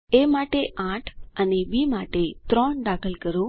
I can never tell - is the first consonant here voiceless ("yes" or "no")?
no